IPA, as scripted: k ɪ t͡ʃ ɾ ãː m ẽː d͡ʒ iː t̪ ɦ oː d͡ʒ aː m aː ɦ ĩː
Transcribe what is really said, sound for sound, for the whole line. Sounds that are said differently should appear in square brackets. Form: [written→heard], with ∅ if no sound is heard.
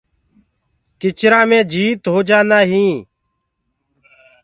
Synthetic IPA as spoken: k ɪ t͡ʃ ɾ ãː m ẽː d͡ʒ iː t̪ ɦ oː d͡ʒ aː [m→n] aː ɦ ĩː